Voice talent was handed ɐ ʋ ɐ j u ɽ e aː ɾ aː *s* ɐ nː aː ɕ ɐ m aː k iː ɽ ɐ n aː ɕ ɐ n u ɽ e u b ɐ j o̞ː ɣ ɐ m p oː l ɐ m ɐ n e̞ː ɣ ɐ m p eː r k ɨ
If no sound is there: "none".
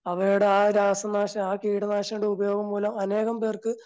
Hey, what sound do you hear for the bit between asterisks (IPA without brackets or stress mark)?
s